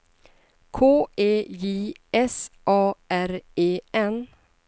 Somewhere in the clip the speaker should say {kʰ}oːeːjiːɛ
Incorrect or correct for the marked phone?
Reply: correct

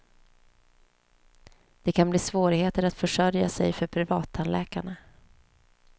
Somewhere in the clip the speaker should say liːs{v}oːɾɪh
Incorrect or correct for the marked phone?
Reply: correct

